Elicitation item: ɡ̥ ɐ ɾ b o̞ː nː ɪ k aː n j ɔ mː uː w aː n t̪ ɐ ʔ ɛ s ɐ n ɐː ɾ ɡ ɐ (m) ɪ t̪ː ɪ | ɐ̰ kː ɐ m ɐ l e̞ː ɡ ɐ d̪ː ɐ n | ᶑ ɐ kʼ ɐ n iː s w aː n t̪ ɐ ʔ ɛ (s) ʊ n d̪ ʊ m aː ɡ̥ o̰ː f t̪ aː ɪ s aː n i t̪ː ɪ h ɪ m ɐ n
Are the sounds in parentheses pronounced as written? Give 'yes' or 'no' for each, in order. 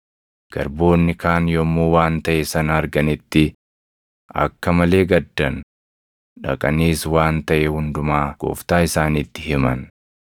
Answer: no, no

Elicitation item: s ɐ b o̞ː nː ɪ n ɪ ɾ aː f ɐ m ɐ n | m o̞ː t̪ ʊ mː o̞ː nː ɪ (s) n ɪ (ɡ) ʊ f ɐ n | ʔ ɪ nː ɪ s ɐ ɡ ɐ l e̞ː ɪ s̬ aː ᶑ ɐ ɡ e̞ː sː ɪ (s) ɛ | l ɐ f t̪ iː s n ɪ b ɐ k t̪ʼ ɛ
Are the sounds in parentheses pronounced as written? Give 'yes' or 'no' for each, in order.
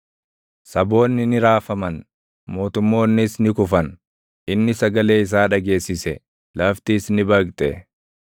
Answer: yes, no, yes

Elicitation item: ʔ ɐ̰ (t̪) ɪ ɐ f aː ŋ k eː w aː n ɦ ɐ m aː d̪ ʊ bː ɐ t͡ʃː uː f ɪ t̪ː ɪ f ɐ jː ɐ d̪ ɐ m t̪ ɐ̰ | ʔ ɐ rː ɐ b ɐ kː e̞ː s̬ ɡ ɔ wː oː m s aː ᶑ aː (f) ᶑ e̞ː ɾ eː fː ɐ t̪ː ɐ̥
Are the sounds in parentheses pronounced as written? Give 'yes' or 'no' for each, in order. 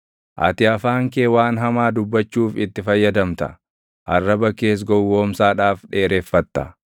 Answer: yes, yes

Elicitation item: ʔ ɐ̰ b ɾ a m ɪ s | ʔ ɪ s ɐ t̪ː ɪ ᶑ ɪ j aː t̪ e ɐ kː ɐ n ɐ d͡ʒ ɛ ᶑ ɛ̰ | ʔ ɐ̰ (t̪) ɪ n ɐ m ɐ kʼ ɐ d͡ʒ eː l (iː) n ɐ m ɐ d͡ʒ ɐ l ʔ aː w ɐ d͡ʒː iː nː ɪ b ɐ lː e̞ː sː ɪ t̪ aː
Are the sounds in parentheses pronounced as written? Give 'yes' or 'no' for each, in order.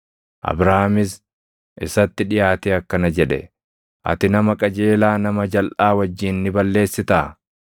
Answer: yes, no

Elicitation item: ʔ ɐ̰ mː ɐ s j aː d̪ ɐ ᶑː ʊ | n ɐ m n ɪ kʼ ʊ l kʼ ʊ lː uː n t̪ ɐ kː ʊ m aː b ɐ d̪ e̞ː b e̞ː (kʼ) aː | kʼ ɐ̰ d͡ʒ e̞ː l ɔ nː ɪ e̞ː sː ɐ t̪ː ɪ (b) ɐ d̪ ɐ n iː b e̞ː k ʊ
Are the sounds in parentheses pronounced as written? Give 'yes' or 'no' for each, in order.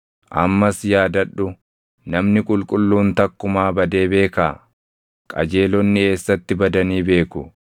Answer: no, yes

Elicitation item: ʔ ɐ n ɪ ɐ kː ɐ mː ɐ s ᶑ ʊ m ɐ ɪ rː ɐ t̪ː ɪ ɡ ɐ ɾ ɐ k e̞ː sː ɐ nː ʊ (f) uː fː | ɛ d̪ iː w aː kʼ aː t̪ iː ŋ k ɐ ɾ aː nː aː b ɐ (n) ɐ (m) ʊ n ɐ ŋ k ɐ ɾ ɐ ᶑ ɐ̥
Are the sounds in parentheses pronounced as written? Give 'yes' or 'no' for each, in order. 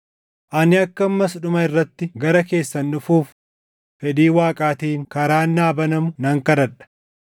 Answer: yes, yes, yes

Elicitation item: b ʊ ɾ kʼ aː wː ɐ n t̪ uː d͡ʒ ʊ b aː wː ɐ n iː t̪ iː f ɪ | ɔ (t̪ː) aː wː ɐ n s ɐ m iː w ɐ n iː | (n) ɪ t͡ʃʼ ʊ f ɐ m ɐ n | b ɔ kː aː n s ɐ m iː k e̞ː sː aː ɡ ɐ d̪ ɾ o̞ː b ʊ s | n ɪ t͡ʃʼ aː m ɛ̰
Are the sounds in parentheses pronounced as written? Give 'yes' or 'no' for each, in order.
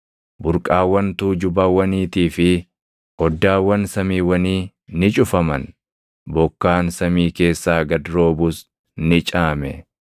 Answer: no, yes

